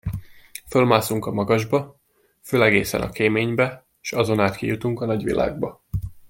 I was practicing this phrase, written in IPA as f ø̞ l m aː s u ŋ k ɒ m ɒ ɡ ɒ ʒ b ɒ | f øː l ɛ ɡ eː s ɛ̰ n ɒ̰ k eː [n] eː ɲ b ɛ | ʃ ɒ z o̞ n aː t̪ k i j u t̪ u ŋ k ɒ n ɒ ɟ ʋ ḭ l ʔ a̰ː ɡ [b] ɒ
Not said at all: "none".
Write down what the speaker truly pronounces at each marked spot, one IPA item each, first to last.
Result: m, b

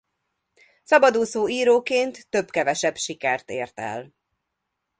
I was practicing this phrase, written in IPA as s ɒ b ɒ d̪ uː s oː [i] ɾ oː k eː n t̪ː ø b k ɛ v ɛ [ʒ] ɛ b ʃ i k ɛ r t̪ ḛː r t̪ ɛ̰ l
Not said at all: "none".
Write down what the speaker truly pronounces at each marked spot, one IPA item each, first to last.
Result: iː, ʃ

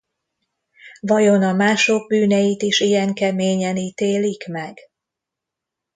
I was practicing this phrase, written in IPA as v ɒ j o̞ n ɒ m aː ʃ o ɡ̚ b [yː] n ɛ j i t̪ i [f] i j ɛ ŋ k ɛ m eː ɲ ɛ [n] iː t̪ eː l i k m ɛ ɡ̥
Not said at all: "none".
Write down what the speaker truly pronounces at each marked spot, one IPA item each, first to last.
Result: yː, ʃ, n

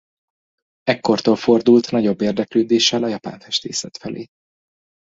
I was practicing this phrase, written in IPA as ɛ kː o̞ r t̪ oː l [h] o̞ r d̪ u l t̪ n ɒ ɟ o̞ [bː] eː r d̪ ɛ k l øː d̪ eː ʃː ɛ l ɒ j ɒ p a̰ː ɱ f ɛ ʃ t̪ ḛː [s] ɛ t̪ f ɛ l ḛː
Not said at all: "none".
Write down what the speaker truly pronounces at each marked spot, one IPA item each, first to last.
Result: f, bː, s

